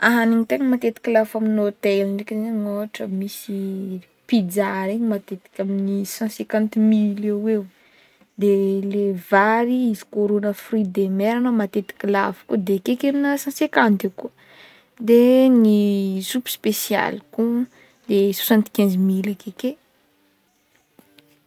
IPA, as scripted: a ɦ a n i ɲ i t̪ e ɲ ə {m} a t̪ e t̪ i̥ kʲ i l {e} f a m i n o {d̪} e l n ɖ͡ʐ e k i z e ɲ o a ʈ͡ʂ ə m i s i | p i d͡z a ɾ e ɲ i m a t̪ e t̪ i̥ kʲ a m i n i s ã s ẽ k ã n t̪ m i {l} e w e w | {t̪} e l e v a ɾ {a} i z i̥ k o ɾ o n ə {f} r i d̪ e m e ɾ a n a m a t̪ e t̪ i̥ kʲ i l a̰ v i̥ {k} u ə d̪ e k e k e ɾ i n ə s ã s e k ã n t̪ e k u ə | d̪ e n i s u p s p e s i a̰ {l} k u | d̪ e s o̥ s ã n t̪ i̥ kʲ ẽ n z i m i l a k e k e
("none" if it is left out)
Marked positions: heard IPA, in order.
m, a, t̪, l, d̪, i, f, k, l

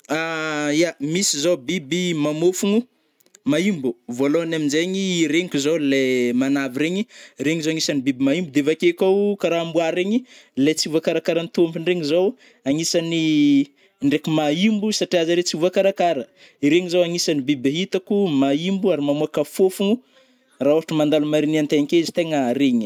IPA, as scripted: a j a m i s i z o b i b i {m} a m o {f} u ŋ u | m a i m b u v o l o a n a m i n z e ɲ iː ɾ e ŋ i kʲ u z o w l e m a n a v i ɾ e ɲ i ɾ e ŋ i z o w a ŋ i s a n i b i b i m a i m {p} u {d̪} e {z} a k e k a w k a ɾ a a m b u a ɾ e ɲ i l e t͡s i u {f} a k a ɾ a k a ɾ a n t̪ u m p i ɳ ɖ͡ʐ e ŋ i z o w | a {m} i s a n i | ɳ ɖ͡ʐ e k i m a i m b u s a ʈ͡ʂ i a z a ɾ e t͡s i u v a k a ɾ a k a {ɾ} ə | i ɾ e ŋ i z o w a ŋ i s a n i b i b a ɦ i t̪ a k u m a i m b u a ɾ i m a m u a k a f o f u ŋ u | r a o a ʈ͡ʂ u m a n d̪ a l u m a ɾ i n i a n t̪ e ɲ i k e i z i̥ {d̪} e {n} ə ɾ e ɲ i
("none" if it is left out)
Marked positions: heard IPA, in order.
m, f, b, d̪, v, v, ŋ, ɾ, t̪, ŋ

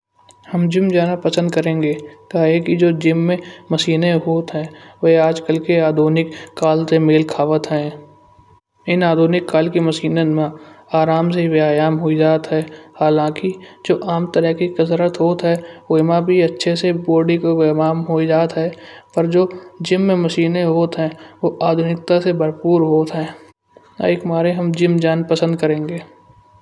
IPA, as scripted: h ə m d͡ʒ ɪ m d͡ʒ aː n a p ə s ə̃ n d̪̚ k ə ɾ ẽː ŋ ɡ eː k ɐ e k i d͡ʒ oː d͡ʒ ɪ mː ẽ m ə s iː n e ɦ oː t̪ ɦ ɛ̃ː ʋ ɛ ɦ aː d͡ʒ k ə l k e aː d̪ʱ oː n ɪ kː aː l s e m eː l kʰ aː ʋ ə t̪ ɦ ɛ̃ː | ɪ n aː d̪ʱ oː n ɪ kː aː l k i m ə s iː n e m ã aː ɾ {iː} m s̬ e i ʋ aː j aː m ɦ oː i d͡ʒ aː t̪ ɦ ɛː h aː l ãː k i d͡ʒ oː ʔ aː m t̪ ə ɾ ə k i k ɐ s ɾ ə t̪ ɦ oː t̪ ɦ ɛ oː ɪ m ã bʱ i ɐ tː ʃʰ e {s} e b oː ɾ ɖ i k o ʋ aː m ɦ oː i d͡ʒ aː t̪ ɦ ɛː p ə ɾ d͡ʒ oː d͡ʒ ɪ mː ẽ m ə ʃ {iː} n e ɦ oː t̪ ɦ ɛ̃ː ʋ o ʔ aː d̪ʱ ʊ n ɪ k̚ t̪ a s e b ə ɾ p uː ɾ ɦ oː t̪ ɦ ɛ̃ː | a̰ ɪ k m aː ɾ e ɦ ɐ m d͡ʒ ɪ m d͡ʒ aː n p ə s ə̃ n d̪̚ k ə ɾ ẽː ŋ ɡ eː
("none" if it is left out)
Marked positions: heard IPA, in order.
aː, s, iː

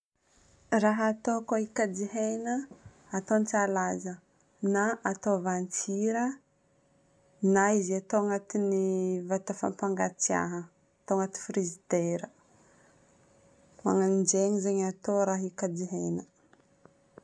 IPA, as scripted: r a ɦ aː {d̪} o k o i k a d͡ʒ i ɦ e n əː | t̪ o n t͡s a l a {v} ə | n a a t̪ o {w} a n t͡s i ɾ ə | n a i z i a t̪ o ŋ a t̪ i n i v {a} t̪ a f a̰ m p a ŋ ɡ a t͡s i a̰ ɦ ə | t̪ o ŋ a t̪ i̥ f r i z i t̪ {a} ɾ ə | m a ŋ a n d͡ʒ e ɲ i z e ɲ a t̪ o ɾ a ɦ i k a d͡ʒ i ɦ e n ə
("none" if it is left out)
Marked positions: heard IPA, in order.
t̪, z, v, a, e

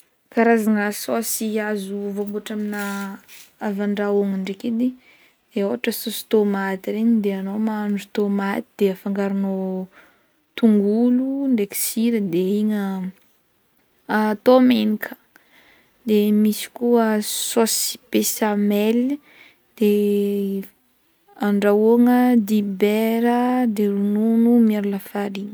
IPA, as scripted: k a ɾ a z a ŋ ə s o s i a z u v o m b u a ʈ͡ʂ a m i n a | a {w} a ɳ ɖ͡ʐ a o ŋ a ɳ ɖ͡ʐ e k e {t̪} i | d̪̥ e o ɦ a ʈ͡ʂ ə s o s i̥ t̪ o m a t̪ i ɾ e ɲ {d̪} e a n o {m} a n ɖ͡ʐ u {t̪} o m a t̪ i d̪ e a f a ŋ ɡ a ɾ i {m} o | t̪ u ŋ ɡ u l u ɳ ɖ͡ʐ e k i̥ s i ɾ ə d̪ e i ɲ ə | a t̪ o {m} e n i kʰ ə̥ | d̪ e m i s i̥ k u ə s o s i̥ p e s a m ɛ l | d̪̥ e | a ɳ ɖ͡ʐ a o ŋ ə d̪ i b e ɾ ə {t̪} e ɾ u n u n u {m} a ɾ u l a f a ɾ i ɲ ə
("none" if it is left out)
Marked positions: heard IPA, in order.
v, d̪, d̪, m, t̪, n, m, d̪, m

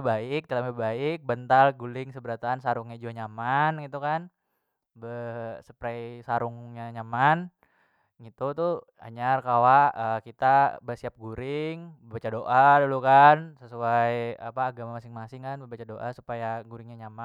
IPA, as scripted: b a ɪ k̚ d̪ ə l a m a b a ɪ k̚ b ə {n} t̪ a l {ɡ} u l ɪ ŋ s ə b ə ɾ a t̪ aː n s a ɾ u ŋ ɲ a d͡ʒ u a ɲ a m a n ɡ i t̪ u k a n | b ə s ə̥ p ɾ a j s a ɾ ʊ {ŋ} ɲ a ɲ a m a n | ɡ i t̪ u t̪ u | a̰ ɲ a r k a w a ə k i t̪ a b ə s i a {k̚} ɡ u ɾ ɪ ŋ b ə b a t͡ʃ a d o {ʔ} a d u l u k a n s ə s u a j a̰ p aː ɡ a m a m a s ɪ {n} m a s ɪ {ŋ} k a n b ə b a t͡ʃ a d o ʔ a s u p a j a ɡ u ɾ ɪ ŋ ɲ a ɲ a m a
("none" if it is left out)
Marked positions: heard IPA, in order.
n, ɡ, ŋ, p̚, ʔ, ŋ, ŋ

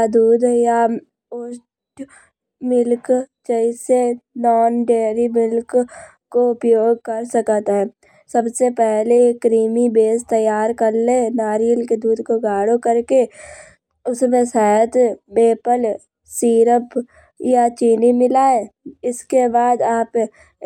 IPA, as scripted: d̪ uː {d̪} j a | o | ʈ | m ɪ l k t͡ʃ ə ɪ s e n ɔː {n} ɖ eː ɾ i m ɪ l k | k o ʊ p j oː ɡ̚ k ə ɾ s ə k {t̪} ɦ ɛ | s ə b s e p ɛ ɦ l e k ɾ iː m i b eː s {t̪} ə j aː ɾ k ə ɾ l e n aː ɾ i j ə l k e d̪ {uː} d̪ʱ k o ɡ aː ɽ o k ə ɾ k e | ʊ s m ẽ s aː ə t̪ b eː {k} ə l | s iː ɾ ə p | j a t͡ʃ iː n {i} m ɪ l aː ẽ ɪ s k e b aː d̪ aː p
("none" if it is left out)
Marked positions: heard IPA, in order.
d̪, n, t̪, t̪, uː, p, i

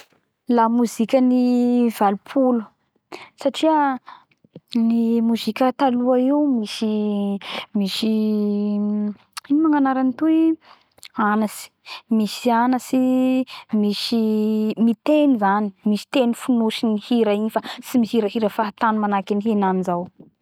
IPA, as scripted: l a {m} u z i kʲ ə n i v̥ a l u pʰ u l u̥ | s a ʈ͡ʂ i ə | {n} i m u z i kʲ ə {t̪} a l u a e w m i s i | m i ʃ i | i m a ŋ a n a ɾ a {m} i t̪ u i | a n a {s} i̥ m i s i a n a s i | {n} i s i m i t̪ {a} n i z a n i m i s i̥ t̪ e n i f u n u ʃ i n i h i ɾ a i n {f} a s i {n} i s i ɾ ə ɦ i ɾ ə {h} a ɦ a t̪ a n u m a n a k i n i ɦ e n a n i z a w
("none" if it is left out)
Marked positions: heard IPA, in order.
m, n, t̪, n, s, m, e, f, m, f

